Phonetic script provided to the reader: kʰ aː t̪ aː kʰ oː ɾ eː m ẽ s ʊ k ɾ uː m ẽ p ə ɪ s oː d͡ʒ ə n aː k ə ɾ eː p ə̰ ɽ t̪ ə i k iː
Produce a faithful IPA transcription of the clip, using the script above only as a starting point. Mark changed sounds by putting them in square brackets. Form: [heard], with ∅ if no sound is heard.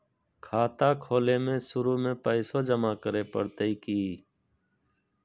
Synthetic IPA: kʰ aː t̪ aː kʰ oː [l] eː m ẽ s ʊ [∅] ɾ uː m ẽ p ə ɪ s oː d͡ʒ ə [m] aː k ə ɾ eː p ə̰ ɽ t̪ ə i k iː